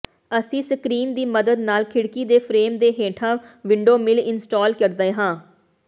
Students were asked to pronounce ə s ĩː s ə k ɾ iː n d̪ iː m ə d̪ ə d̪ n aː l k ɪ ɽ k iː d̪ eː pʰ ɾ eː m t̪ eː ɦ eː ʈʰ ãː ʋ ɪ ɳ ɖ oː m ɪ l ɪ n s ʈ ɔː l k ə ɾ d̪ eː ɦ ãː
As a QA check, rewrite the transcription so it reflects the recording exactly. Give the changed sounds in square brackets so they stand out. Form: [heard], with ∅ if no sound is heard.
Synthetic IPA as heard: ə s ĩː s ə k ɾ iː n d̪ iː m ə d̪ ə d̪ n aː l [kʰ] ɪ ɽ k iː d̪ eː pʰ ɾ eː m [d̪] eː ɦ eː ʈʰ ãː ʋ ɪ ɳ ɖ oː m ɪ l ɪ n s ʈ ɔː l k ə ɾ d̪ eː ɦ ãː